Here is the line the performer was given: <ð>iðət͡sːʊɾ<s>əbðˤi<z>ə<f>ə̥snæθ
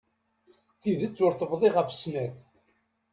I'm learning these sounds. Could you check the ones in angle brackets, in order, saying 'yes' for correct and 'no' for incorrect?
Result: no, no, no, yes

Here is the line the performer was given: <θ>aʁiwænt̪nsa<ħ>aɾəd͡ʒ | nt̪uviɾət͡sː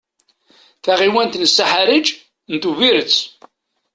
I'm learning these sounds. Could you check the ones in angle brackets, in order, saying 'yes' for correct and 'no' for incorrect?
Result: yes, yes

